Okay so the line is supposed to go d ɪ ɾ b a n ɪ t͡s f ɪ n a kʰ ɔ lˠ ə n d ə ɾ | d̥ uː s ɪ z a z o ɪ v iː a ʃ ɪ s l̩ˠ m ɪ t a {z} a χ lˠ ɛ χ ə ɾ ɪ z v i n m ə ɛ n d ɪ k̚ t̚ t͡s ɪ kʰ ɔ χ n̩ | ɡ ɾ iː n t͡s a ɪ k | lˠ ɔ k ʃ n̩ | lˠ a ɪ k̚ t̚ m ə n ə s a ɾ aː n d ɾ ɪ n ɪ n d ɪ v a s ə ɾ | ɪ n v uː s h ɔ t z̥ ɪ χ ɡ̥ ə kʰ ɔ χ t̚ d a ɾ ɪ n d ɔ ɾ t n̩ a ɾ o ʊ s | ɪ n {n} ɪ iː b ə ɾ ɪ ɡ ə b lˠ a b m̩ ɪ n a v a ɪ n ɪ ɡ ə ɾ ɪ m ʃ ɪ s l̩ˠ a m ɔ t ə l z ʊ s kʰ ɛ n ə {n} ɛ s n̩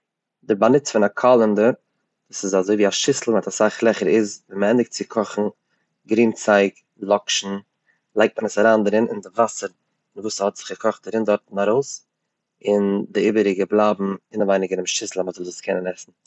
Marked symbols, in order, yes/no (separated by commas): no, no, yes